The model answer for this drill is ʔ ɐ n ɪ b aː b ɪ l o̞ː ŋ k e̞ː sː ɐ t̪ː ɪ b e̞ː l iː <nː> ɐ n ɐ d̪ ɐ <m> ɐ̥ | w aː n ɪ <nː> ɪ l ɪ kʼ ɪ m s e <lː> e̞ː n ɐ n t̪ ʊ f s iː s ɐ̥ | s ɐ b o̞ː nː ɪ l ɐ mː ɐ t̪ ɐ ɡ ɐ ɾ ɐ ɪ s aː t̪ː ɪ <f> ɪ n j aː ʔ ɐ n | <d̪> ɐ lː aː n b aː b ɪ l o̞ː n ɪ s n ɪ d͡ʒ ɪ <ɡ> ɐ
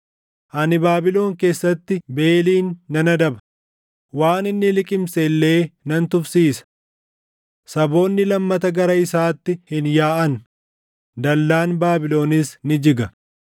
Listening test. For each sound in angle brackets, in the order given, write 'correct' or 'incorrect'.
correct, incorrect: b, correct, correct, incorrect: h, correct, correct

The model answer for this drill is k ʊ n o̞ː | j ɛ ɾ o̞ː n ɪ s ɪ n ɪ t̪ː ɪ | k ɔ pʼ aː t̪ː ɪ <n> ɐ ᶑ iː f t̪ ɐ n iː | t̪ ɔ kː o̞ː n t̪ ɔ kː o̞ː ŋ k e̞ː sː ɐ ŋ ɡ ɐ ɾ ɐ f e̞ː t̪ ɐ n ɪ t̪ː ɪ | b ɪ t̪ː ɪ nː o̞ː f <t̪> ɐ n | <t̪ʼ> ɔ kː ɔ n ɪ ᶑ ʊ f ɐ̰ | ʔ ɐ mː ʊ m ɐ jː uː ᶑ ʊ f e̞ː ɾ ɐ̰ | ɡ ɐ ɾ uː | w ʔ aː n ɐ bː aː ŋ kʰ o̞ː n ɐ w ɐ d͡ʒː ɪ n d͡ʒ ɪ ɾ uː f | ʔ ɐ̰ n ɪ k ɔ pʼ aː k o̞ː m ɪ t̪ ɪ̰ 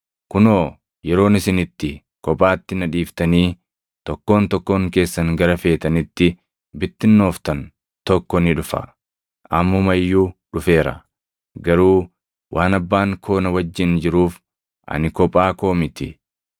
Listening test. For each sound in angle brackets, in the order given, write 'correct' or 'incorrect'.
correct, correct, incorrect: t̪

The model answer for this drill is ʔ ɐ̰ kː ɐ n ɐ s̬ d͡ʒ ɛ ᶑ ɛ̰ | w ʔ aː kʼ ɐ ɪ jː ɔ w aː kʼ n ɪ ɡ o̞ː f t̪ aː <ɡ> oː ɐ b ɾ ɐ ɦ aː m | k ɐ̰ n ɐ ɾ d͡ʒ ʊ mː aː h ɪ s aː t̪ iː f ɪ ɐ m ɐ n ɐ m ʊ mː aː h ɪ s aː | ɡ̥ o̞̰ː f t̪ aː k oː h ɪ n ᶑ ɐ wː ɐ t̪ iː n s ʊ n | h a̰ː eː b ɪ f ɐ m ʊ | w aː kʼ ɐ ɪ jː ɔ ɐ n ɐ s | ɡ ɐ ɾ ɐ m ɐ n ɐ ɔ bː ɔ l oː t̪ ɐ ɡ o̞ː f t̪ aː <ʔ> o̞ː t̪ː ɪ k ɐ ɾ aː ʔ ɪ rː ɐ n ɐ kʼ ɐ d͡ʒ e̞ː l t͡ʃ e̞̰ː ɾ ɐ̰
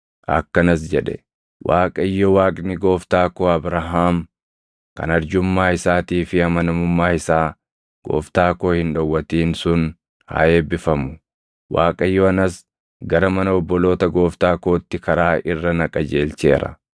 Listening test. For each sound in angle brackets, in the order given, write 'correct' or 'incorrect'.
incorrect: k, incorrect: k

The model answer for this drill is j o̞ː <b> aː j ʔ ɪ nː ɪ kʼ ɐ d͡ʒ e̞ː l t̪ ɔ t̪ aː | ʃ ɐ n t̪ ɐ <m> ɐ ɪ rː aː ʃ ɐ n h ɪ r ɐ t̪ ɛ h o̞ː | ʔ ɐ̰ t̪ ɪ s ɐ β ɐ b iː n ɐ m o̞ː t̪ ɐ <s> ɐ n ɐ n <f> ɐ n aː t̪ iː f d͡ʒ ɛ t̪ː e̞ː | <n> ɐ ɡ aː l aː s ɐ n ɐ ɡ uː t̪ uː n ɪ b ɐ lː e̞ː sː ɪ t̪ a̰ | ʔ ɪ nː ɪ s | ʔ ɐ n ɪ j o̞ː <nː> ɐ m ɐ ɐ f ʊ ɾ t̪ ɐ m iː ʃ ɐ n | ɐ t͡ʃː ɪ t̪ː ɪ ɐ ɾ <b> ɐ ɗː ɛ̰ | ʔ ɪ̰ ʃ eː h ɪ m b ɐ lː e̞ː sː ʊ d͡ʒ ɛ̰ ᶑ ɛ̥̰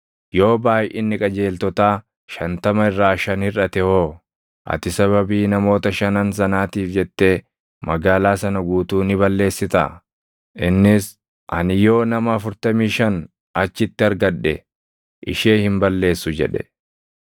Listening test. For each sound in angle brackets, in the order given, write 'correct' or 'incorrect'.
correct, correct, incorrect: ʃ, incorrect: s, incorrect: m, incorrect: n, incorrect: ɡ

